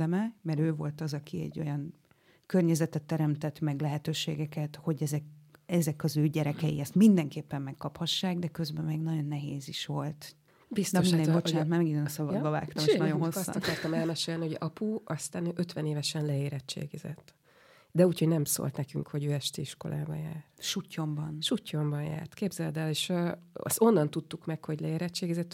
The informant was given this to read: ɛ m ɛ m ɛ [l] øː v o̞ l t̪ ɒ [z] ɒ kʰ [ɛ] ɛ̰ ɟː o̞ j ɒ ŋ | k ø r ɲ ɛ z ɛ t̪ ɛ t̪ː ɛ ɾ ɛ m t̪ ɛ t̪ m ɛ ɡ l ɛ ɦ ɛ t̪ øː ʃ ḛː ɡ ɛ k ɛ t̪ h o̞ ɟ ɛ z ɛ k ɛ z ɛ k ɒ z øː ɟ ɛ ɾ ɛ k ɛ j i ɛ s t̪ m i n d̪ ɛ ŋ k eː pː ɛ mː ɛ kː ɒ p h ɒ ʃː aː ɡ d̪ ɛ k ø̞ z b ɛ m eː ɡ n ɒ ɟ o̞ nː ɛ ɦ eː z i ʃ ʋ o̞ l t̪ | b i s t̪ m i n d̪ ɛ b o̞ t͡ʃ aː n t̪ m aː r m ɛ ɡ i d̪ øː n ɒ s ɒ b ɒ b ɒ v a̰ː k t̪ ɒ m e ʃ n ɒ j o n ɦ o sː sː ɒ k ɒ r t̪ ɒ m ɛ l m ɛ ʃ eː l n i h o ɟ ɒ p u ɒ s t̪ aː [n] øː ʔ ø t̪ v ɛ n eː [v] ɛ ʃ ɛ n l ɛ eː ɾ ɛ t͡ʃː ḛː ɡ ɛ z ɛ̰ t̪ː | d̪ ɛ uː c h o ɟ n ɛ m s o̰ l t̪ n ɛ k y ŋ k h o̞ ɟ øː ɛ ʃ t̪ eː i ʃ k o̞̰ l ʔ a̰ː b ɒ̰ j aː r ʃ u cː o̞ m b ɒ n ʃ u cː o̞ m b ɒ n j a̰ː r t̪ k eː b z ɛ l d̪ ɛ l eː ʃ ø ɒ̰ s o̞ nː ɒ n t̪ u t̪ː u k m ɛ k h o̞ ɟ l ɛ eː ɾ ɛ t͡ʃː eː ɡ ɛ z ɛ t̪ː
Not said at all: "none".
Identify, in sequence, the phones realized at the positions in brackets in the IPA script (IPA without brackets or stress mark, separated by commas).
ɾ, z, i, n, v